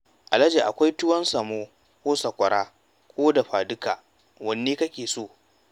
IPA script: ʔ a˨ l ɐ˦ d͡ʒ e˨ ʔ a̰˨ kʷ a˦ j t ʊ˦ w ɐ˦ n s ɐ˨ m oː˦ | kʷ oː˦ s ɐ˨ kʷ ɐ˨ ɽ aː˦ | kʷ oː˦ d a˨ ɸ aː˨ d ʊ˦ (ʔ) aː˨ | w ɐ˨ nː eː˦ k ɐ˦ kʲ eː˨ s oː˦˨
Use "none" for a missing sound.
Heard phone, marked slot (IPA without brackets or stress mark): k